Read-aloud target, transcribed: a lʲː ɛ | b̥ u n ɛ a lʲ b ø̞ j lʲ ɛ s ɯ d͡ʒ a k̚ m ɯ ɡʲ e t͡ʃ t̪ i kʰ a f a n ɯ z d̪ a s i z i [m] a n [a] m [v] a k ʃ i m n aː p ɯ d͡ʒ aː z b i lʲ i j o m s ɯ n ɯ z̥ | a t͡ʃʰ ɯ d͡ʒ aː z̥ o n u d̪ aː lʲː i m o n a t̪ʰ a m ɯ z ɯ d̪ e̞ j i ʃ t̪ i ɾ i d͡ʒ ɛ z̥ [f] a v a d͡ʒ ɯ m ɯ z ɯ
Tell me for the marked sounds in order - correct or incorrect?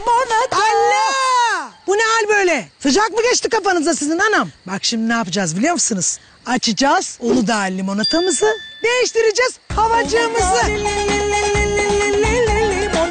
incorrect, correct, incorrect, incorrect

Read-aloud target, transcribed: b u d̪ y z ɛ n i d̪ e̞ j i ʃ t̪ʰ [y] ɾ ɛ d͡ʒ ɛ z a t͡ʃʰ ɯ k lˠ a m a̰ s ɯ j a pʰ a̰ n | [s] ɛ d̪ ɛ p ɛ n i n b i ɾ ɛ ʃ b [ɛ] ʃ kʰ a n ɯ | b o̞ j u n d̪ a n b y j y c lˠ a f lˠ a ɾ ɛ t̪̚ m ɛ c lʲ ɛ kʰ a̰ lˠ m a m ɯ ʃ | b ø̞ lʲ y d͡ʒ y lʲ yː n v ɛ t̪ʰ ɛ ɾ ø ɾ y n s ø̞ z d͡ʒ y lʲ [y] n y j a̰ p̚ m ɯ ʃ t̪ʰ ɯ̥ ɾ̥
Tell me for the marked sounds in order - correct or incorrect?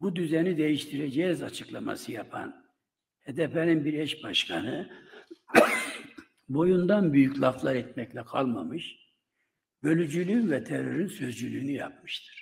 incorrect, incorrect, incorrect, incorrect

